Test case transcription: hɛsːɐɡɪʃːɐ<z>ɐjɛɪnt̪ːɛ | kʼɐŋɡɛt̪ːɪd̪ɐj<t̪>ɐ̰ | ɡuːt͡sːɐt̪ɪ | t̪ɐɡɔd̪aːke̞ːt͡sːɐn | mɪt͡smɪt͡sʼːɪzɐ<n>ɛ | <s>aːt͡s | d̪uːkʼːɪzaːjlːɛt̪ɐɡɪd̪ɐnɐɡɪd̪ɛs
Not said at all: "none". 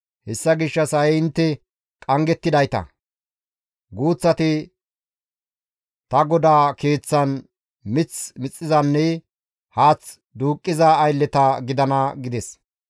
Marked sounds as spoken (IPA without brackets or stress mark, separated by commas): s, t̪, nː, h